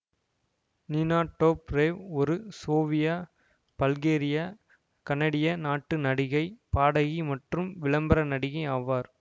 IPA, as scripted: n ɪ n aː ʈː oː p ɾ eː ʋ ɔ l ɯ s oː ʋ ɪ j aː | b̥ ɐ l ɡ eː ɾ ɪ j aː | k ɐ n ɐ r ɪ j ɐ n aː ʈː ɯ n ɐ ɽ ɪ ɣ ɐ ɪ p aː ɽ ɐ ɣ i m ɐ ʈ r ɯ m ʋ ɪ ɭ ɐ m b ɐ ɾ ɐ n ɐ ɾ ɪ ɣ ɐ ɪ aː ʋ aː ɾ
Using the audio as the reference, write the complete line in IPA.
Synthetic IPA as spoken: n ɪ n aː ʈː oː p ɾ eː ʋ ɔ ɾ ɯ s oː ʋ ɪ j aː | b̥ ɐ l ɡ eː ɾ ɪ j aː | k ɐ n ɐ ɽ ɪ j ɐ n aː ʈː ɯ n ɐ ɽ ɪ ɣ ɐ ɪ p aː ɽ ɐ ɣ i m ɐ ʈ r ɯ m ʋ ɪ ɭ ɐ m b ɐ ɾ ɐ n ɐ ɽ ɪ ɣ ɐ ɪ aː ʋ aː ɾ